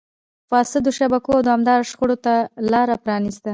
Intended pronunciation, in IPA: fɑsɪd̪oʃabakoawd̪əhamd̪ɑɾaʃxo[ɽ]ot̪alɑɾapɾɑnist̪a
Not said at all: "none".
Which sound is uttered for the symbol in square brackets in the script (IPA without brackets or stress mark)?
ɽ